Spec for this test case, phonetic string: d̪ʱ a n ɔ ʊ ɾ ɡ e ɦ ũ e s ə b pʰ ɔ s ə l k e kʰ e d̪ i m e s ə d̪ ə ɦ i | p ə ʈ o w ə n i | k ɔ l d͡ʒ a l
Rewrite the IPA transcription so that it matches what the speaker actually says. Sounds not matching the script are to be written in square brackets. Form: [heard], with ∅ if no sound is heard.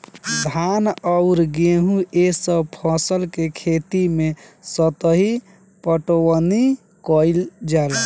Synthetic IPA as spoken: d̪ʱ a n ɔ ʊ ɾ ɡ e ɦ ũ e s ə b pʰ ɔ s ə l k e kʰ e [t̪] i m e s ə [t̪] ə ɦ i | p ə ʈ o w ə n i | k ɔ l d͡ʒ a l